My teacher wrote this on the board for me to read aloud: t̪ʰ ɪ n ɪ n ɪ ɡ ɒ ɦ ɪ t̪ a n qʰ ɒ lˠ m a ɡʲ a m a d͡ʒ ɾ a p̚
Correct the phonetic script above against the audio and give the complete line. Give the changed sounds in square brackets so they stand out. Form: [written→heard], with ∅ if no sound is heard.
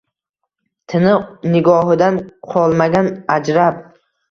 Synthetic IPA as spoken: t̪ʰ ɪ n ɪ n ɪ ɡ ɒ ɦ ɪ [t̪→d̪] a n qʰ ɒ lˠ m a ɡʲ a [m→n] a d͡ʒ ɾ a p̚